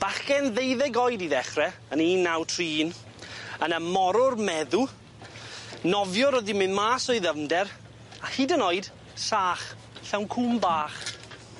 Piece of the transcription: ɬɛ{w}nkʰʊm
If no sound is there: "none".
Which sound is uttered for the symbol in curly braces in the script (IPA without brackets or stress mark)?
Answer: w